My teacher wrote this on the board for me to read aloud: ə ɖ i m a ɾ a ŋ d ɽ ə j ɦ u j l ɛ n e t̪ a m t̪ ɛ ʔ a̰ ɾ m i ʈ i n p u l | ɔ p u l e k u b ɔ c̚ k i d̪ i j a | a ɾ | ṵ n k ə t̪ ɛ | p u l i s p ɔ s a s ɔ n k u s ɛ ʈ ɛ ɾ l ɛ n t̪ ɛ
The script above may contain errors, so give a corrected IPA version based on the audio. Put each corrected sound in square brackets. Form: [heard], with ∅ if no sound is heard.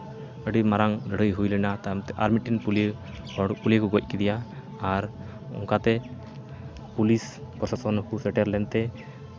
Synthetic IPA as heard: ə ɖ i m a ɾ a ŋ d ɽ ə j ɦ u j l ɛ n [a] t̪ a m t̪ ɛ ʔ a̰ ɾ m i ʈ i n p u l | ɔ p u l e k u [ɡ] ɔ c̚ k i d̪ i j a | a ɾ | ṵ [ŋ] k [a] t̪ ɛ | p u l i s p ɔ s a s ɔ n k u s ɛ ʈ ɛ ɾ l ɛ n t̪ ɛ

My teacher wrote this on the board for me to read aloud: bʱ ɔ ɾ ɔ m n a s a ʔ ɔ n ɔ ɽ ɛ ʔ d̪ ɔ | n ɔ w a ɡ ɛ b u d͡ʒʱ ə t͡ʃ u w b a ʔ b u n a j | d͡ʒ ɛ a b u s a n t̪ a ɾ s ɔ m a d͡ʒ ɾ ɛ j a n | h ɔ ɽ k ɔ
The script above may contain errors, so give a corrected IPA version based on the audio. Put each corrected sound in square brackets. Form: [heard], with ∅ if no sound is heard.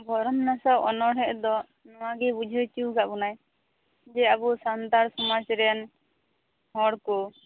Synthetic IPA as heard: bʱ ɔ ɾ ɔ m n a s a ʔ ɔ n ɔ ɽ ɛ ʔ d̪ ɔ | n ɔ w a ɡ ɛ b u d͡ʒʱ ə t͡ʃ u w [ɡ] a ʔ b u n a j | d͡ʒ ɛ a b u s a n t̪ a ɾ s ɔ m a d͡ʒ ɾ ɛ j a n | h ɔ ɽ k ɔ

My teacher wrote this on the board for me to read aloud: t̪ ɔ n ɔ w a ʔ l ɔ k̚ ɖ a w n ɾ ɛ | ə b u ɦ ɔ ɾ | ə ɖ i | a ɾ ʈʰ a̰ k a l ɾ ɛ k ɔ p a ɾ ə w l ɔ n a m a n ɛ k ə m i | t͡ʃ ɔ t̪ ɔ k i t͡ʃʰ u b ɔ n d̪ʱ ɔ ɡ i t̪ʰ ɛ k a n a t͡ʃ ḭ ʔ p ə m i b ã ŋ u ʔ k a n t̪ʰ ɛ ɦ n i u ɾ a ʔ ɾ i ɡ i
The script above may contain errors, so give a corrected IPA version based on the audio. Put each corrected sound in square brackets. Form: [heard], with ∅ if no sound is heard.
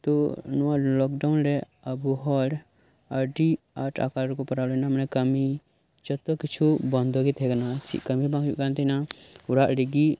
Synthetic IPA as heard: t̪ ɔ n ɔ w a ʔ l ɔ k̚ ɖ a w n ɾ ɛ | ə b u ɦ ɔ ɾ | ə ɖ i | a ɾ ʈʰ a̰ k a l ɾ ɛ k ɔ p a ɾ [a] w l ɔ n a m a n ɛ k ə m i | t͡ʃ ɔ t̪ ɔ k i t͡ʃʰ u b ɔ n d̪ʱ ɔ ɡ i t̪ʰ ɛ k a n a t͡ʃ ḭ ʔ [k] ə m i b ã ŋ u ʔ k a n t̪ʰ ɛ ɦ n [a] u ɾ a ʔ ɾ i ɡ i

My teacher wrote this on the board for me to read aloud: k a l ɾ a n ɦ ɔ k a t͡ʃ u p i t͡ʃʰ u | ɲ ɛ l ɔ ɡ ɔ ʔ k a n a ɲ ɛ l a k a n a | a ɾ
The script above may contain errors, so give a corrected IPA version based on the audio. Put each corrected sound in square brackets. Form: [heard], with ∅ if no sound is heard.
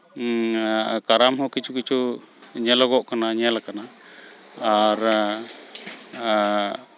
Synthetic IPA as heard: k a [∅] ɾ a [m] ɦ ɔ k [i] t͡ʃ u [k] i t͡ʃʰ u | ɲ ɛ l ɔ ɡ ɔ ʔ k a n a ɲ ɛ l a k a n a | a ɾ

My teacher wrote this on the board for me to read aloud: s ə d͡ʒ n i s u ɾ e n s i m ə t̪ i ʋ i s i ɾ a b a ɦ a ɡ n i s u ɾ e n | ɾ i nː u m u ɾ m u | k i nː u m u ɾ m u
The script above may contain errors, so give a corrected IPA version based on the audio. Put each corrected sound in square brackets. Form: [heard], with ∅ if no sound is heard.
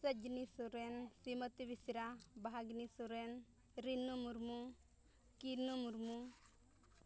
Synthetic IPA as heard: s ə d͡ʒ n i s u ɾ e n s i m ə t̪ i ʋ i s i ɾ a b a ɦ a ɡ n i s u ɾ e n | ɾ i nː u m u ɾ m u | k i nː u m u ɾ m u

